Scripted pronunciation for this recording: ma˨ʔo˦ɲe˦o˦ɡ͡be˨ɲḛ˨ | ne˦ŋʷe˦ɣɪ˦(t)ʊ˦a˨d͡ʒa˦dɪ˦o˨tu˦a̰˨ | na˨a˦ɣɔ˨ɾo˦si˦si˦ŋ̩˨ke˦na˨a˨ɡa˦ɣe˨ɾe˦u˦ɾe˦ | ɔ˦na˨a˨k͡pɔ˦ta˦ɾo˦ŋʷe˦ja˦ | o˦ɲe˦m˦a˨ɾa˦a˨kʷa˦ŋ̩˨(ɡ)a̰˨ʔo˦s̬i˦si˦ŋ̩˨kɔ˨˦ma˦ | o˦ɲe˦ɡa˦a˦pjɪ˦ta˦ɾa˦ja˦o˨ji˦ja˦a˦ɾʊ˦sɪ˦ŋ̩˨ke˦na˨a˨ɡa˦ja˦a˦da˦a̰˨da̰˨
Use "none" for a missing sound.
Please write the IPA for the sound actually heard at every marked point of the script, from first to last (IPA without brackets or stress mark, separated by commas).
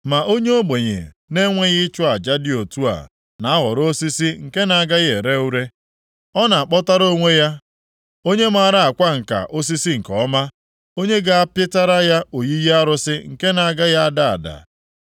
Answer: t͡ʃ, k